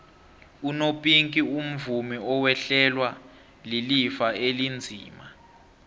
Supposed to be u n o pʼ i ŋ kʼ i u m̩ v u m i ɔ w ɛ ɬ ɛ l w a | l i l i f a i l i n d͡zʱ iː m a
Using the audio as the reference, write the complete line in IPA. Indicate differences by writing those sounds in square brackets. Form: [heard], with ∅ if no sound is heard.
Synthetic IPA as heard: u n o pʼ i ŋ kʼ i u m̩ v u m i ɔ w ɛ ɬ ɛ l w a | l i l i f a [e] l i n d͡zʱ iː m a